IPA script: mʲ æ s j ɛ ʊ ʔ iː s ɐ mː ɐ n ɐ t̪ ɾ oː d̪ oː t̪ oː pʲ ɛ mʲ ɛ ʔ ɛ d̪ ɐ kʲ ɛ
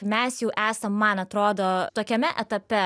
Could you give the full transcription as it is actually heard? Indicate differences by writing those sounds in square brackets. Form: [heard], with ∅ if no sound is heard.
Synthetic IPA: mʲ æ s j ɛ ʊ ʔ [æː] s ɐ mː ɐ n ɐ t̪ ɾ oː d̪ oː t̪ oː [kʲ] ɛ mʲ ɛ ʔ ɛ [t̪] ɐ [pʲ] ɛ